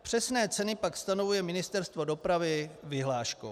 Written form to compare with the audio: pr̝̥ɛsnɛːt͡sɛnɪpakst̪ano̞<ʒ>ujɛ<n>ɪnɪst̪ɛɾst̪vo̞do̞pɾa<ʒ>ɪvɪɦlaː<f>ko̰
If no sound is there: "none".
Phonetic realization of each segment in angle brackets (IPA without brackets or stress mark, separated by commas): v, m, v, ʃ